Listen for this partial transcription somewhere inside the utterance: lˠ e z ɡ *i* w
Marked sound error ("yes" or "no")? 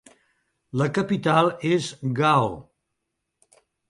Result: yes